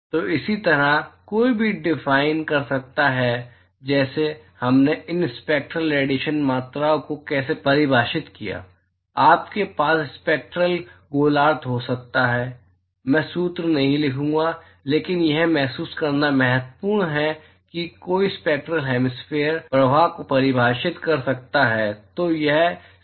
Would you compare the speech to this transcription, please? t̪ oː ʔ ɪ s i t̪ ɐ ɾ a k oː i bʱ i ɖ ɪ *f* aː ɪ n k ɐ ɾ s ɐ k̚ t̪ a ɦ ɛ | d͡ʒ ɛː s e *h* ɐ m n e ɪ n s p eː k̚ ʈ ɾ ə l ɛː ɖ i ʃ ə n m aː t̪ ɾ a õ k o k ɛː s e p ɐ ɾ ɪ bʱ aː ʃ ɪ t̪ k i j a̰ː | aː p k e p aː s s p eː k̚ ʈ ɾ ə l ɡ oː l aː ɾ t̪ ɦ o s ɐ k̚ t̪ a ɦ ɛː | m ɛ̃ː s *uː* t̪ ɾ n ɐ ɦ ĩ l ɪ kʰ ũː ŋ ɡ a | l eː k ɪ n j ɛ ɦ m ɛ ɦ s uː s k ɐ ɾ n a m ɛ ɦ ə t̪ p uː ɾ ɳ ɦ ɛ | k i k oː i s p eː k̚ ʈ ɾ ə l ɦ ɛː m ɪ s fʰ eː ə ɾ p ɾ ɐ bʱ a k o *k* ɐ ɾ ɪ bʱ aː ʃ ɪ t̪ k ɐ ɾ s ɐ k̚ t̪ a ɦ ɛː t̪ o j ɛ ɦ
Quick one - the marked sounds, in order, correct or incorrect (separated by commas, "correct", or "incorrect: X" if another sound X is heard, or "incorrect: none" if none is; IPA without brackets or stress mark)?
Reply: correct, correct, correct, incorrect: p